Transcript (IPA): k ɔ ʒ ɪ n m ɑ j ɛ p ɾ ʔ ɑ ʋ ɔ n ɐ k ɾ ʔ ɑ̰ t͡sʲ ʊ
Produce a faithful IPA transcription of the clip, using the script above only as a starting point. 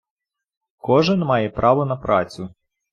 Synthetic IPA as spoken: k ɔ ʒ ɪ n m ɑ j ɛ p ɾ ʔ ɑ ʋ ɔ n ɐ p ɾ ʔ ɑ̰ t͡sʲ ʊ